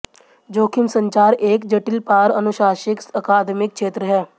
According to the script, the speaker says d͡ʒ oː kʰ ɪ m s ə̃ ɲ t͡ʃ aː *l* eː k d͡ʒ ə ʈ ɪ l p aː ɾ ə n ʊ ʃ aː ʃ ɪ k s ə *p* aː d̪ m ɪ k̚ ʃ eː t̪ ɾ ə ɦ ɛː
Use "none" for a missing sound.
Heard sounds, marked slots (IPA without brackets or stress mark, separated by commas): ɾ, k